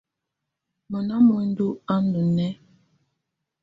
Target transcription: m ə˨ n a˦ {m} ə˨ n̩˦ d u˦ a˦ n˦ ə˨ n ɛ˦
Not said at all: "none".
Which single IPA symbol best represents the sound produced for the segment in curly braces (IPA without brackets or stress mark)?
m